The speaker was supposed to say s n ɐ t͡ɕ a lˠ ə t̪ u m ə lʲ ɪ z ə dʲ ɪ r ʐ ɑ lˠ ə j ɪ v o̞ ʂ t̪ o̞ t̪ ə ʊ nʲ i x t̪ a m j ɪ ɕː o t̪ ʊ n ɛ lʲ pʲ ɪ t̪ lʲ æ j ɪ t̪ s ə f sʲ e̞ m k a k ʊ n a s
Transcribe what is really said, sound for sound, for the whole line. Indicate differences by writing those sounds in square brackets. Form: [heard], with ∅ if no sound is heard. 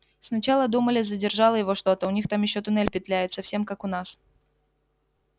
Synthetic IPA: s n ɐ t͡ɕ a lˠ ə [d̪] u m ə lʲ ɪ z ə dʲ ɪ r ʐ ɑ lˠ ə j ɪ v o̞ ʂ t̪ o̞ t̪ ə ʊ nʲ i x t̪ a m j ɪ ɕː o t̪ ʊ n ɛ lʲ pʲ ɪ t̪ lʲ æ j ɪ t̪ s ə f sʲ e̞ m k a k ʊ n a s